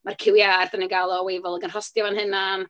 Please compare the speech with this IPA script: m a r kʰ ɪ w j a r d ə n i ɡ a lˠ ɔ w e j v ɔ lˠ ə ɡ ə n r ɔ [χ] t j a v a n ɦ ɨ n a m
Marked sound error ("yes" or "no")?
yes